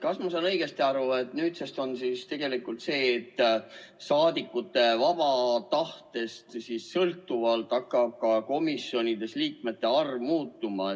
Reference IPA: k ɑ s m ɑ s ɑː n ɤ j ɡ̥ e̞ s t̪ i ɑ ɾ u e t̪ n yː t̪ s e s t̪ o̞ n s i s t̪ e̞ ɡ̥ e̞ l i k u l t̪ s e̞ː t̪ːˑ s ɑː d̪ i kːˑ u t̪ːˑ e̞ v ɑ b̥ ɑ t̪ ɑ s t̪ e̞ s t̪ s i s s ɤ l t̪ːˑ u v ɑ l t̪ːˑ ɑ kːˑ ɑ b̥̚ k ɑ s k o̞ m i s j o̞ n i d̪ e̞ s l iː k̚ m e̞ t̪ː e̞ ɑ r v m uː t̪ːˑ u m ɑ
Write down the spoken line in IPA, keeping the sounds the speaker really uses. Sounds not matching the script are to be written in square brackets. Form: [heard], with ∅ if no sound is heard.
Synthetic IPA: k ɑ s m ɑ s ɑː n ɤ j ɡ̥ e̞ s t̪ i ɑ ɾ u e t̪ n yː t̪ s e s t̪ o̞ n s i s t̪ e̞ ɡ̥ e̞ l i k u l t̪ s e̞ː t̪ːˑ s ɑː d̪ i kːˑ u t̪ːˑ e̞ v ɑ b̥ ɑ t̪ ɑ [h] t̪ e̞ s t̪ s i s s ɤ l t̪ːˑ u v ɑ l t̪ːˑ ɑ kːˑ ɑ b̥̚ k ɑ [∅] k o̞ m i s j o̞ n i d̪ e̞ s l iː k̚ m e̞ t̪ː e̞ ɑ r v m uː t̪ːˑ u m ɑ